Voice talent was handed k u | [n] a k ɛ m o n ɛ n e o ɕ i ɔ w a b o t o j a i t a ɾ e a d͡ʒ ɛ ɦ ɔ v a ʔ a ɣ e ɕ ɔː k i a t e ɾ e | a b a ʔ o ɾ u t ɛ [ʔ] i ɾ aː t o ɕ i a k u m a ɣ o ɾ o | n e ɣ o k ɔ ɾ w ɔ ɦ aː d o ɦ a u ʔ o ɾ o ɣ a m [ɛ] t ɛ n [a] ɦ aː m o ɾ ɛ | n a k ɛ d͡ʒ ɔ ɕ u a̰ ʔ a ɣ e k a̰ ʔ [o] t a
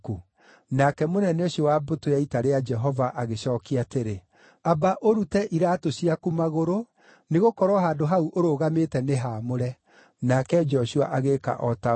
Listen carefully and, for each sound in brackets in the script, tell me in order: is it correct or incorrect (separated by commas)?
correct, correct, incorrect, incorrect, incorrect